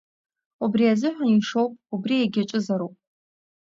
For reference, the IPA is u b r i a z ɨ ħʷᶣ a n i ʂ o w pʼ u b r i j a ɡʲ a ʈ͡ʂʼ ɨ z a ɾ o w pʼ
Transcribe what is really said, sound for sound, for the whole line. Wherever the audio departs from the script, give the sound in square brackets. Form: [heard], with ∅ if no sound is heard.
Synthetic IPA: u b r i a z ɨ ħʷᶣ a n i ʂ o w pʼ u b r i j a ɡʲ a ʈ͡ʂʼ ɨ z a ɾ o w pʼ